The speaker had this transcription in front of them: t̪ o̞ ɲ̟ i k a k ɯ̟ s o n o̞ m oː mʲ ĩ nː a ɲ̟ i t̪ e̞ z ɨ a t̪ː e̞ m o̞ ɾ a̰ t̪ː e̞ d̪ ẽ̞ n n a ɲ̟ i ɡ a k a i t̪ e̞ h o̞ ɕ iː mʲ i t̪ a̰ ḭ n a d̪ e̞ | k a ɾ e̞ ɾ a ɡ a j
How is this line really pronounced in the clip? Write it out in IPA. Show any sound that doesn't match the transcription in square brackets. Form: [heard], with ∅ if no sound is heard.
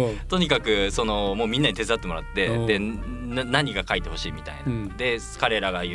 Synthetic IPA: t̪ o̞ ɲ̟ i k a k ɯ̟ s o n o̞ m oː mʲ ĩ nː a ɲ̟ i t̪ e̞ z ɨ a t̪ː e̞ m o̞ ɾ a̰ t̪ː e̞ d̪ [e̞] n n a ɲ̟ i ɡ a k a i t̪ e̞ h o̞ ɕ iː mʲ i t̪ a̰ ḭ n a d̪ e̞ | k a ɾ e̞ ɾ a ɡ a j